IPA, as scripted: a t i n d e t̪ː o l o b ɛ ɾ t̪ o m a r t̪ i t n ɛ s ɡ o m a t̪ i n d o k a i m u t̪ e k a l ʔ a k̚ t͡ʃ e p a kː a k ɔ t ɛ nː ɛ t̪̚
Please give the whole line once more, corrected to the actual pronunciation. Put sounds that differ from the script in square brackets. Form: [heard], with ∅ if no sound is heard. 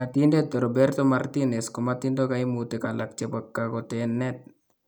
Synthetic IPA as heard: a t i n d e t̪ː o [ɾ] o b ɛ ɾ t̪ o m a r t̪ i [∅] n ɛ s [k] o m a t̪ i n d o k a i m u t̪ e k a l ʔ a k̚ t͡ʃ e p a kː a k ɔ t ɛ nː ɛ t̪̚